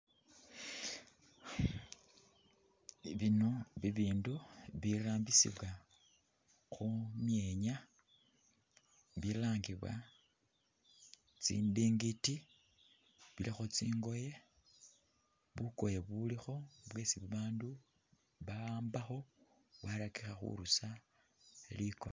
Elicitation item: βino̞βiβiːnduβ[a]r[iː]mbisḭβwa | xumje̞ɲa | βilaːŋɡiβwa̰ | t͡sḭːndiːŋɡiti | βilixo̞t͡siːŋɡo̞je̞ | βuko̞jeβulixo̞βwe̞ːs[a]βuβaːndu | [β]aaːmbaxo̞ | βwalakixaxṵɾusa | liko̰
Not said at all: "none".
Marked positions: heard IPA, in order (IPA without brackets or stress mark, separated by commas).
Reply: i, aː, i, β